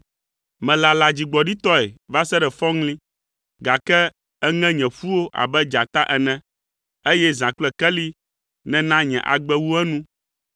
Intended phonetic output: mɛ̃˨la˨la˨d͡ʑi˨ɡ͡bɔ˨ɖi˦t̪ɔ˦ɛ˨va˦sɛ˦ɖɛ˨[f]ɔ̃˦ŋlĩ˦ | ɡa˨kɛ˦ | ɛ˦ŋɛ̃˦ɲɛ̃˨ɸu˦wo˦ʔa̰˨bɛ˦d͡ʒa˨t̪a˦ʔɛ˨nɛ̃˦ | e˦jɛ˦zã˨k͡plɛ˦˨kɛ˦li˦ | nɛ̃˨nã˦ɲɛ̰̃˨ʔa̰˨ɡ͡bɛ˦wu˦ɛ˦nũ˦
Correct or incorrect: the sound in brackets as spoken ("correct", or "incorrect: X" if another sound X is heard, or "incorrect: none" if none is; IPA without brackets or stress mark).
correct